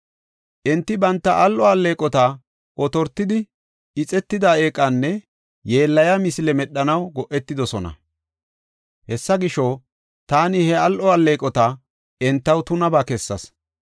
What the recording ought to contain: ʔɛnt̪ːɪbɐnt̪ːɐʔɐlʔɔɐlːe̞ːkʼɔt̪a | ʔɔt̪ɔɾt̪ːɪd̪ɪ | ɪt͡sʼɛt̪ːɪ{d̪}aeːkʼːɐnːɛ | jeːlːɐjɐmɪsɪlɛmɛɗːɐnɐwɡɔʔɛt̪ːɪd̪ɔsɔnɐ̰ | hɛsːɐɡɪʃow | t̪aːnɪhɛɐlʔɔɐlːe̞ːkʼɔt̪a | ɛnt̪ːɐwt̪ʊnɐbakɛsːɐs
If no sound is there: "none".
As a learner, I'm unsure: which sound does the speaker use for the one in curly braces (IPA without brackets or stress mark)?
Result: d̪